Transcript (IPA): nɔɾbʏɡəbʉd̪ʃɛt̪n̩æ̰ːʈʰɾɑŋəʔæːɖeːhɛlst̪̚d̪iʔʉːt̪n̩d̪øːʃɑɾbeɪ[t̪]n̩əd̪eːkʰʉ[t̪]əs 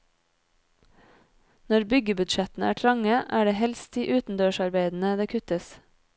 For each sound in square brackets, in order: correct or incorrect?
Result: incorrect: d̪, correct

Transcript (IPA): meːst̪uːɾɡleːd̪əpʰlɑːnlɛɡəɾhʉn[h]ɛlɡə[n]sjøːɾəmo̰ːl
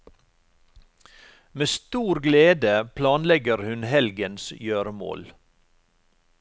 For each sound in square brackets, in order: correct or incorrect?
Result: correct, correct

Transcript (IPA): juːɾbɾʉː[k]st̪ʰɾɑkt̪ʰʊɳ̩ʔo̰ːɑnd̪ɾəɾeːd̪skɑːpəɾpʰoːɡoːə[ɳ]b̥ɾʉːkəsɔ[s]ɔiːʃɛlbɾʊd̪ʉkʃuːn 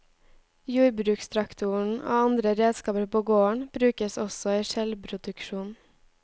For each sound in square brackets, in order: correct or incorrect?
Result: correct, correct, correct

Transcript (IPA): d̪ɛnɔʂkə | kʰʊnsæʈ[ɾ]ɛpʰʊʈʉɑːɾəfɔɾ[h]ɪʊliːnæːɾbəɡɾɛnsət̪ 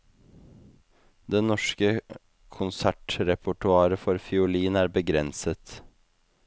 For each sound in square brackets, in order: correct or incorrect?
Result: correct, incorrect: f

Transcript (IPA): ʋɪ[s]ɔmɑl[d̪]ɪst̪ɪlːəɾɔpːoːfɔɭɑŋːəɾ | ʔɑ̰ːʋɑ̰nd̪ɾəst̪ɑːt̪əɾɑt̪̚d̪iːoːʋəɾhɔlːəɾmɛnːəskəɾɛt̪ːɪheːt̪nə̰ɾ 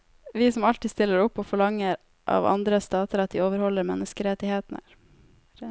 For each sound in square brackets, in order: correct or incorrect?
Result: correct, incorrect: t̪

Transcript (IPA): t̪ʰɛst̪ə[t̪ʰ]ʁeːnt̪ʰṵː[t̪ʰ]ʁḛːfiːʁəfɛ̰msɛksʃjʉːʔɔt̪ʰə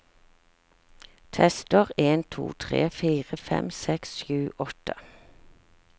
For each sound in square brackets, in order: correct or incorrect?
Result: incorrect: none, correct

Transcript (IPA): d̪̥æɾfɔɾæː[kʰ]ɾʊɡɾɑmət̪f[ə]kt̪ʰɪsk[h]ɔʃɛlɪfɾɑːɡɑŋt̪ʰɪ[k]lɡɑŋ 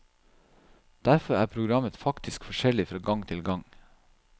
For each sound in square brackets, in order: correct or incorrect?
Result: incorrect: pʰ, incorrect: ɑ, incorrect: f, incorrect: none

